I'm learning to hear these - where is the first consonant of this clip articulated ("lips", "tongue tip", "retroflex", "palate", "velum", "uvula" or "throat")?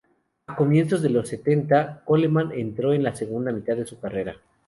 velum